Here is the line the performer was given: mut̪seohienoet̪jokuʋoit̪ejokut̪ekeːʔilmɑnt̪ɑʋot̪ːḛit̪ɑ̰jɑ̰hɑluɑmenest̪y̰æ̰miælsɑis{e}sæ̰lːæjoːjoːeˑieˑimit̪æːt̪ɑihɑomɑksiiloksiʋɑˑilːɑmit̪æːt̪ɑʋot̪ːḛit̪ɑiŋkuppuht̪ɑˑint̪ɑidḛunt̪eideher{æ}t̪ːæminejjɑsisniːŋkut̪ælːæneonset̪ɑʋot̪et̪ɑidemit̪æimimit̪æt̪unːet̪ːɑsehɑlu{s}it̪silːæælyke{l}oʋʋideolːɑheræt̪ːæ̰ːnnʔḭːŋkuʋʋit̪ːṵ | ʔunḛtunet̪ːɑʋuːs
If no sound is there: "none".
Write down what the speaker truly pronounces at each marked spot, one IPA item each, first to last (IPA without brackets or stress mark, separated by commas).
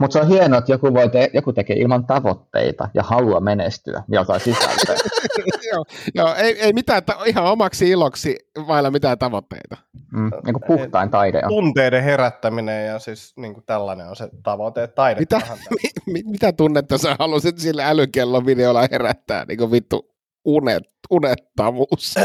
i, æ, s, lː